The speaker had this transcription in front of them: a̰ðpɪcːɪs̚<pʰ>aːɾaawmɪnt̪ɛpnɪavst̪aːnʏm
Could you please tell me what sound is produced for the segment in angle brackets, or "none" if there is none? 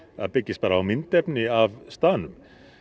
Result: p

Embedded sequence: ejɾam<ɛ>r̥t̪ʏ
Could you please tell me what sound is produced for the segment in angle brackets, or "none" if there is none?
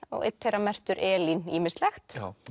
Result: ɛ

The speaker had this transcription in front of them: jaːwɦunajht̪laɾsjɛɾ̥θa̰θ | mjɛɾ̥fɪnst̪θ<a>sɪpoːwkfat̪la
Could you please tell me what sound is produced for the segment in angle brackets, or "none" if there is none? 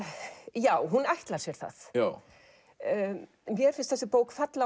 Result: ɛ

